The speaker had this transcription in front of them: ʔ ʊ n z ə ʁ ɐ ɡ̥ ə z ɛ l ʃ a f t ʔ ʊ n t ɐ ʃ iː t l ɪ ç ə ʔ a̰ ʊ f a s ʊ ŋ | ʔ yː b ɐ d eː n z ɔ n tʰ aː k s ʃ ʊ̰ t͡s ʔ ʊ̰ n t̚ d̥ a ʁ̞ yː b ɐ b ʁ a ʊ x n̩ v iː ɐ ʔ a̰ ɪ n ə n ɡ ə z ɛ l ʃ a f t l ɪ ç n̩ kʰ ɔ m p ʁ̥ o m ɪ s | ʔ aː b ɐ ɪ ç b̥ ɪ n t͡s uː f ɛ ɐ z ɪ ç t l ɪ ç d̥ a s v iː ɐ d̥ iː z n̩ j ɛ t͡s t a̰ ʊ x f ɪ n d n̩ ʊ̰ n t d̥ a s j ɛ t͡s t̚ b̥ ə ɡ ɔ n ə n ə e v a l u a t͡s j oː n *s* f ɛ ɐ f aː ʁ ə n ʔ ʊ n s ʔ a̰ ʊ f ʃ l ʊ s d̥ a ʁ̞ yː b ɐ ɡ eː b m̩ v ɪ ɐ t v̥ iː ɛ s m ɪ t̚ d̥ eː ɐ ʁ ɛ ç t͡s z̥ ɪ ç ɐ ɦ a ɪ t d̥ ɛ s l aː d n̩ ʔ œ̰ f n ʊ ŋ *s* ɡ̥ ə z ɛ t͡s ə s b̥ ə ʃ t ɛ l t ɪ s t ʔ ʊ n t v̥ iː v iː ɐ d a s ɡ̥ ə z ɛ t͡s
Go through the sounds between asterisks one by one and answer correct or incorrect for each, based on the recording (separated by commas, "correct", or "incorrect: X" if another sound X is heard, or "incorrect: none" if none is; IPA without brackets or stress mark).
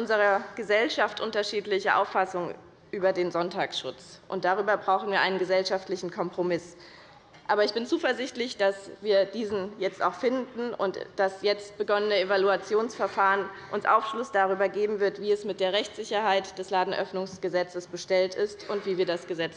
correct, correct